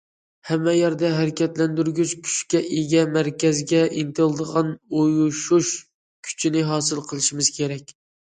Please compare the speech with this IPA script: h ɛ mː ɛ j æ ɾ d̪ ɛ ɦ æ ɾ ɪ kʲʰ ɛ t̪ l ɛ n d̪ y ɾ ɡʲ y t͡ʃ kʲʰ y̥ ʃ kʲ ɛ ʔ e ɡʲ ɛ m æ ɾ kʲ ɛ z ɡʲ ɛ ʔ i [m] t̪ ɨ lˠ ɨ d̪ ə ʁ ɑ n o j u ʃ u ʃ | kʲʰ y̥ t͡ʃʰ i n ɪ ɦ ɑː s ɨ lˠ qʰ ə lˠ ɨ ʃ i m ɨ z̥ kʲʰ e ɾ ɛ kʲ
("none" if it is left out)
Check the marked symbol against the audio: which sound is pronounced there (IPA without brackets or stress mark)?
n